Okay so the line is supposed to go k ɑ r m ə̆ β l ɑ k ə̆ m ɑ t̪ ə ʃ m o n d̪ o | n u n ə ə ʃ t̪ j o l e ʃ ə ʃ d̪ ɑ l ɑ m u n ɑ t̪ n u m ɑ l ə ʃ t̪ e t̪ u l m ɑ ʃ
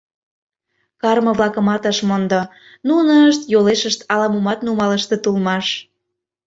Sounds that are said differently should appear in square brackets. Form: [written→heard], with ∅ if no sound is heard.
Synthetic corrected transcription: k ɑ r m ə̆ β l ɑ k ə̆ m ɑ t̪ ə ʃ m o n d̪ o | n u n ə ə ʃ t̪ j o l e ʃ ə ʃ [d̪→t̪] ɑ l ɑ m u [n→m] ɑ t̪ n u m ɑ l ə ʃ t̪ e t̪ u l m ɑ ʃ

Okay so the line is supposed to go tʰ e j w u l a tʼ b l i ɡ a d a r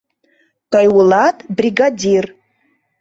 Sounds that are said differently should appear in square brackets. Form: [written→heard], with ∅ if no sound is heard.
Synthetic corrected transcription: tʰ [e→a] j w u l a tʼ b [l→r] i ɡ a d [a→i] r

